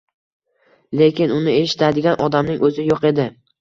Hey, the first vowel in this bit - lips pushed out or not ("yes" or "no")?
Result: no